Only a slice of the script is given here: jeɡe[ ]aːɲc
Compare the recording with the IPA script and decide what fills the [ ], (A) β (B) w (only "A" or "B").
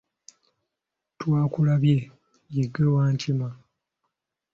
B